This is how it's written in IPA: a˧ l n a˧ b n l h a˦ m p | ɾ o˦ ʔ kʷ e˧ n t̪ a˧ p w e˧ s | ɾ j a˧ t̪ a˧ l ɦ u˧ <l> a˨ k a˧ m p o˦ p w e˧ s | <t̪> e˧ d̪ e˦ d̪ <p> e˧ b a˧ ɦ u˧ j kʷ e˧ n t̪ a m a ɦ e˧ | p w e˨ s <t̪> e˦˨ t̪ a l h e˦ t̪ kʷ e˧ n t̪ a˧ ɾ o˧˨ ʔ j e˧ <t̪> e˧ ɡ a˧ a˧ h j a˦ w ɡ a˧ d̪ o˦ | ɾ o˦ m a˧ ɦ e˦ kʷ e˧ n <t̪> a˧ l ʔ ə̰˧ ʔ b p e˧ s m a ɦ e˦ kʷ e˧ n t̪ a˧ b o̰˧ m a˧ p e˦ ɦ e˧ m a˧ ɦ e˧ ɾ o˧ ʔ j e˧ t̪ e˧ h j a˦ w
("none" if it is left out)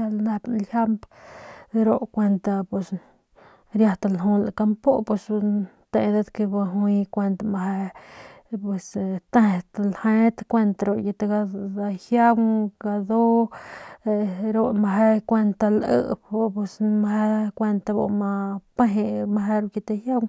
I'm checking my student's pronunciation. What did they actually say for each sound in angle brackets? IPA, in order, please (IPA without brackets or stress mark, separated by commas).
l, t̪, k, t̪, t̪, t̪